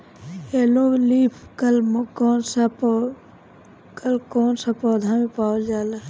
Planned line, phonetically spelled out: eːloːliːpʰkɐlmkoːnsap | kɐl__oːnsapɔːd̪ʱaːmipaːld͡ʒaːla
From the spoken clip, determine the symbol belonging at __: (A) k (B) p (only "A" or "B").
A